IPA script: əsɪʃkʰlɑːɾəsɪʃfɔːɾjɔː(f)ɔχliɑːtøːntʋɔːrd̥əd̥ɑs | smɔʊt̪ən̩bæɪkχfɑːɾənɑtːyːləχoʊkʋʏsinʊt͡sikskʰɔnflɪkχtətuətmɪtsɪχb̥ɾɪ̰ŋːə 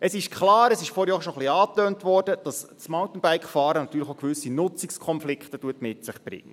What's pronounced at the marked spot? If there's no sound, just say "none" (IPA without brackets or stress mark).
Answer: ʃ